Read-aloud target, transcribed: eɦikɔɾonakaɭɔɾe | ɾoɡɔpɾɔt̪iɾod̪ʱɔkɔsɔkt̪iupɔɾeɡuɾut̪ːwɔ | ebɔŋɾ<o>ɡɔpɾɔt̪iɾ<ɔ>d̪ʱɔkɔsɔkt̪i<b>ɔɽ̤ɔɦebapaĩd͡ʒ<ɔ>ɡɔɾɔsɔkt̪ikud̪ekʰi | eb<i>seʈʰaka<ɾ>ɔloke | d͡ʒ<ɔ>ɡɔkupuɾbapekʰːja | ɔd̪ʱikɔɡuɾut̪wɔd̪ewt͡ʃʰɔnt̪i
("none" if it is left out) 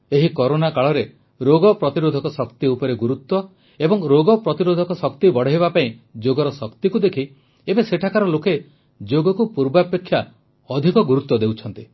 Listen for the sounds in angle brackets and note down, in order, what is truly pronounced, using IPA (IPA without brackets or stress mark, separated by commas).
o, o, b, o, e, ɾ, o